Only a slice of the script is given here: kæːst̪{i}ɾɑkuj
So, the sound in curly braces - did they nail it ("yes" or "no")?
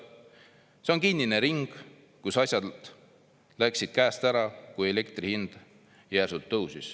no